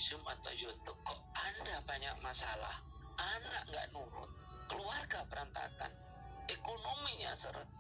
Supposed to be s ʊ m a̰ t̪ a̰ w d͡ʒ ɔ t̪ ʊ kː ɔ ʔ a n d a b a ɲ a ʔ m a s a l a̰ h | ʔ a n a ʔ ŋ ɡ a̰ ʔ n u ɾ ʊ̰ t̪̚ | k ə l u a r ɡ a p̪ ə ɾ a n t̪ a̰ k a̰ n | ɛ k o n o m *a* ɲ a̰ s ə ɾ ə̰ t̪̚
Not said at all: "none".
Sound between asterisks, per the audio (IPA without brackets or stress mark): i